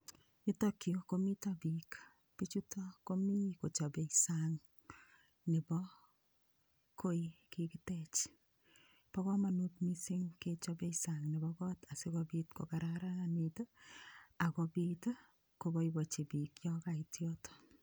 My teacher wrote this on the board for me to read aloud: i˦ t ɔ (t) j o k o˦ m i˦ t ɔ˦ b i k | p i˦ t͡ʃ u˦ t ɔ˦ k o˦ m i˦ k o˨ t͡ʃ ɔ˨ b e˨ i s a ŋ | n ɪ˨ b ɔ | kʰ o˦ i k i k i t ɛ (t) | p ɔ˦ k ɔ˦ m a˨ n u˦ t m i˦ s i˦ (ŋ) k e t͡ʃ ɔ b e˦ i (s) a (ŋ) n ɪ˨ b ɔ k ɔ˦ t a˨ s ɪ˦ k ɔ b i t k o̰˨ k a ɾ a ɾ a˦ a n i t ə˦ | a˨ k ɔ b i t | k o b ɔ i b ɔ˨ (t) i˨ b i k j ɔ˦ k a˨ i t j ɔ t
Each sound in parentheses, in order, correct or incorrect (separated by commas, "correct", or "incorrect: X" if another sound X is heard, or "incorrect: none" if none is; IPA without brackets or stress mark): incorrect: k, incorrect: t͡ʃ, correct, correct, correct, incorrect: t͡ʃ